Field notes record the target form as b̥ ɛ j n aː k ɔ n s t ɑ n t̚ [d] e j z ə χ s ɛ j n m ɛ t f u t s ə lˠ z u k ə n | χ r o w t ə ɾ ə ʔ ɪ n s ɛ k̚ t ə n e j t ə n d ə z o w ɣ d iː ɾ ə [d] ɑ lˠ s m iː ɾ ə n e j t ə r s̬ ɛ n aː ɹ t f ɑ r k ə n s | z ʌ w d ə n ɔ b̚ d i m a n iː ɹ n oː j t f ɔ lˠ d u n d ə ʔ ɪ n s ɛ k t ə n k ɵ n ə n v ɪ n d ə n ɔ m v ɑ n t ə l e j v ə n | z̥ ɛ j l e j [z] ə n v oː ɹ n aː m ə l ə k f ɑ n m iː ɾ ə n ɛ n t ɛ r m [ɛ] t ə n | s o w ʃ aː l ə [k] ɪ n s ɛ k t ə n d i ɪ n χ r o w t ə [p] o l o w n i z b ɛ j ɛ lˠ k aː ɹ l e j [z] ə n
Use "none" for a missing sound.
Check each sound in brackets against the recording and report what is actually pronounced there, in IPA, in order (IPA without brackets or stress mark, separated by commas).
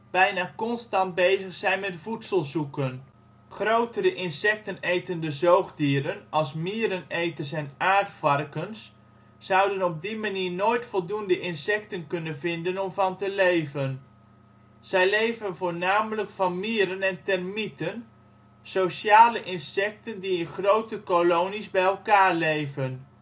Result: b, n, v, i, ʔ, k, v